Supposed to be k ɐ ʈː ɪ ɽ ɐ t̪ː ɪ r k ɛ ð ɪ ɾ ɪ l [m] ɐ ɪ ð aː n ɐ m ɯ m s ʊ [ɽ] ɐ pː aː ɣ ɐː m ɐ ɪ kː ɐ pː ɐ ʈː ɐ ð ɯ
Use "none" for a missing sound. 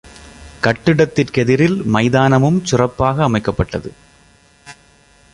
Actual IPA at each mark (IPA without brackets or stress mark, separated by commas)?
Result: m, r